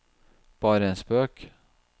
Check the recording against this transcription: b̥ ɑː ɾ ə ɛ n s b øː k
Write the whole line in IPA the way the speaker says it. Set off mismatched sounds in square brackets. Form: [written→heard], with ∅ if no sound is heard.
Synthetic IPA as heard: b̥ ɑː ɾ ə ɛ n s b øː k

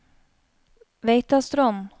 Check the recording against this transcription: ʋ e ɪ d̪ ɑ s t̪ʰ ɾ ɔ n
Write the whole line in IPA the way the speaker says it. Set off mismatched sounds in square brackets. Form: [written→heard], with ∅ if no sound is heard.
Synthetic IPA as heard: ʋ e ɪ [d̪→t̪] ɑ s [t̪ʰ→t̪] ɾ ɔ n

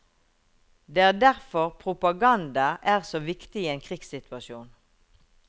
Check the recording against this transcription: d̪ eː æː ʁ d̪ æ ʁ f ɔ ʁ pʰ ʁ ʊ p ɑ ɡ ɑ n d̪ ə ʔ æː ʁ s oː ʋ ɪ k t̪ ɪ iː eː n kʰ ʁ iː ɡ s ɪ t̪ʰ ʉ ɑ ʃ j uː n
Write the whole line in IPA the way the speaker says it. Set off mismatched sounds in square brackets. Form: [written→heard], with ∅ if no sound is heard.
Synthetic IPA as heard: d̪ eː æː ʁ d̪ æ ʁ f ɔ ʁ pʰ ʁ ʊ p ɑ ɡ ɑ n d̪ [ə→ɑ] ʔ æː ʁ s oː ʋ ɪ k t̪ ɪ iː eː n kʰ ʁ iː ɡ s ɪ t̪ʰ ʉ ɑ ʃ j uː n

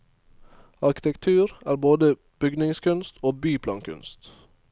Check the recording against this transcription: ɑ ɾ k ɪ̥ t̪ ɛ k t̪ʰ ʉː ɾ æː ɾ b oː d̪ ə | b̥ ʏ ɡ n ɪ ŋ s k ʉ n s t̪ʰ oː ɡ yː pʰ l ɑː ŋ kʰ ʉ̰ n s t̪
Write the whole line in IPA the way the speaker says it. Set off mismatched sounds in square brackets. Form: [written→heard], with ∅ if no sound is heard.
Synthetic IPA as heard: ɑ ɾ k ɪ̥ t̪ ɛ k t̪ʰ ʉː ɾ æː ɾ b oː d̪ ə | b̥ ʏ ɡ n ɪ ŋ s k ʉ n s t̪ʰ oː [ɡ→b] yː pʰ l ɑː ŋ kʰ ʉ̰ n s t̪

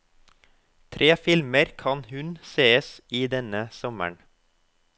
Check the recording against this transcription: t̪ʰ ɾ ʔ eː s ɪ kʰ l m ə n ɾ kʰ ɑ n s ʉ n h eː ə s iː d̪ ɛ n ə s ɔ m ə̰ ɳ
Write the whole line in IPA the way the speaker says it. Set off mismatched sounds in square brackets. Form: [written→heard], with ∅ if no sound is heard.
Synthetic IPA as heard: t̪ʰ ɾ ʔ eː [s→f] ɪ [kʰ→∅] l m ə [n→∅] ɾ kʰ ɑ n [s→h] ʉ n [h→s] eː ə s iː d̪ ɛ n ə s ɔ m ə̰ ɳ

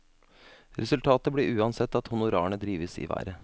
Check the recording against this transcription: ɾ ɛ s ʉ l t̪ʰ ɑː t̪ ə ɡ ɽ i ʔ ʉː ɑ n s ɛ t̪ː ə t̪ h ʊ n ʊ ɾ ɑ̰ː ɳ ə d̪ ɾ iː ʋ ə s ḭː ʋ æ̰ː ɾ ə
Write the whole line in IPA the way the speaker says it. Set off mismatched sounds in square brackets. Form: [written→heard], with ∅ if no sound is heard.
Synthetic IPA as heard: ɾ ɛ s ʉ l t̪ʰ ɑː t̪ ə [ɡ→b] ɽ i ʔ ʉː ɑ n s ɛ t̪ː [ə→ɑ] t̪ h ʊ n ʊ ɾ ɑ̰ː ɳ ə d̪ ɾ iː ʋ ə s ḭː ʋ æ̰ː ɾ ə

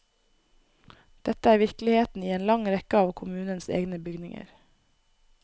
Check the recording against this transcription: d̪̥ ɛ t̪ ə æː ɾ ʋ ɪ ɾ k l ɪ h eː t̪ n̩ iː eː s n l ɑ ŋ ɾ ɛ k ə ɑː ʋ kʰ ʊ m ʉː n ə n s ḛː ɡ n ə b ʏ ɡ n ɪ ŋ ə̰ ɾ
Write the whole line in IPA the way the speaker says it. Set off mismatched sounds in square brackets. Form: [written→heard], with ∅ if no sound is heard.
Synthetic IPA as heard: d̪̥ ɛ t̪ ə æː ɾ ʋ ɪ ɾ k l ɪ h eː t̪ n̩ iː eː [s→∅] n l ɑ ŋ ɾ ɛ k ə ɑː ʋ kʰ ʊ m ʉː n ə n s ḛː ɡ n ə b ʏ ɡ n ɪ ŋ ə̰ ɾ

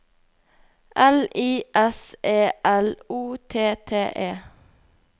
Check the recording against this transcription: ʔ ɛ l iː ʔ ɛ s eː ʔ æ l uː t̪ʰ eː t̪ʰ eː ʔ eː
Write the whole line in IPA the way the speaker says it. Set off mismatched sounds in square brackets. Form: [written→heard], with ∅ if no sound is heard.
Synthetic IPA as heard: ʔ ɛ l iː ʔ ɛ s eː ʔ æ l uː t̪ʰ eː t̪ʰ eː ʔ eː

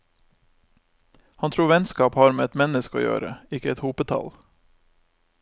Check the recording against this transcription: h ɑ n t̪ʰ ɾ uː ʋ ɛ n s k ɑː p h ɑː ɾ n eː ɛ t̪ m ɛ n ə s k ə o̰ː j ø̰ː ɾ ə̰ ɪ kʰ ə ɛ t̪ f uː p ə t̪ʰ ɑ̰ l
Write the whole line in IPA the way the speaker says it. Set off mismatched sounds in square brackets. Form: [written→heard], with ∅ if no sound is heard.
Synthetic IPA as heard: h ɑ n t̪ʰ ɾ uː ʋ ɛ n s k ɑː p h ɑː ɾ [n→m] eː ɛ t̪ m ɛ n ə s k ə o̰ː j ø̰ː ɾ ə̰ ɪ [kʰ→k] ə ɛ t̪ [f→h] uː p ə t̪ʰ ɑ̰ l

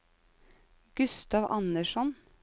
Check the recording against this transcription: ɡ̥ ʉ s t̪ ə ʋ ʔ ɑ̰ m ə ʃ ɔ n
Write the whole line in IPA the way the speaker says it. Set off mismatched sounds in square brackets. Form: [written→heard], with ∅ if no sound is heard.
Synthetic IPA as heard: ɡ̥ ʉ s t̪ [ə→ɑ] ʋ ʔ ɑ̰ [m→n] ə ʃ ɔ n

